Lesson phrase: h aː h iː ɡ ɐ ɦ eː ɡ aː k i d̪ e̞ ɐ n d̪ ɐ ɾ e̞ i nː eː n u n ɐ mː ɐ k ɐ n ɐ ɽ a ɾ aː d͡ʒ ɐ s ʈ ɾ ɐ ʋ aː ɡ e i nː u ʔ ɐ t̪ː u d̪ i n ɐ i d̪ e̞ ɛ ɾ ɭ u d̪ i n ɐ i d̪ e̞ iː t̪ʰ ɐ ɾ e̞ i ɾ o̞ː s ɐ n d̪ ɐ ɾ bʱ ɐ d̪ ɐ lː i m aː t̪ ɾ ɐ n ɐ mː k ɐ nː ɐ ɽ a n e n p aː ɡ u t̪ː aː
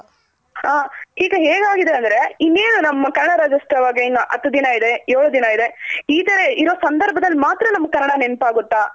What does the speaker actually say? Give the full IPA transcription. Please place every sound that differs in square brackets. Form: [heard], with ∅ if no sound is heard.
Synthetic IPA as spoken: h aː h iː ɡ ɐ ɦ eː ɡ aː [ɡ] i d̪ e̞ ɐ n d̪ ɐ ɾ e̞ i nː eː n u n ɐ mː ɐ k ɐ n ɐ ɽ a ɾ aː d͡ʒ ɐ s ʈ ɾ ɐ ʋ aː ɡ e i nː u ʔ ɐ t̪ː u d̪ i n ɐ i d̪ e̞ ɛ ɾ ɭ u d̪ i n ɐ i d̪ e̞ iː [t̪] ɐ ɾ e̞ i ɾ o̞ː s ɐ n d̪ ɐ ɾ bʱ ɐ d̪ ɐ lː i m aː t̪ ɾ ɐ n ɐ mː k ɐ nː ɐ ɽ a n e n p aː ɡ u t̪ː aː